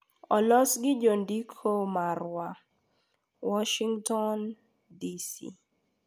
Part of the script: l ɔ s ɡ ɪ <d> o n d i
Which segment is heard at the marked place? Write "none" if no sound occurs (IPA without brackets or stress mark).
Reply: d͡ʒ